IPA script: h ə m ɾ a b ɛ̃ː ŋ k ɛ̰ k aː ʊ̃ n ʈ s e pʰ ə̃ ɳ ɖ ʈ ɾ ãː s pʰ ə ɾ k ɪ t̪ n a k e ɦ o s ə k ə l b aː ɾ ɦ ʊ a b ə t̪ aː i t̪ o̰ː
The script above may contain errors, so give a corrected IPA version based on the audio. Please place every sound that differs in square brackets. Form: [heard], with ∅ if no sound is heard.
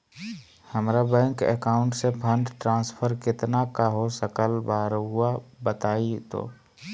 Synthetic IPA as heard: h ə m ɾ a b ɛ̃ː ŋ k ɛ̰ k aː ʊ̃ [ɳ] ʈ s e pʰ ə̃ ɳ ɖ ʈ ɾ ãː s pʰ ə ɾ k ɪ t̪ n a k [a] ɦ o s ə k ə l b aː ɾ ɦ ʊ a b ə t̪ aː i t̪ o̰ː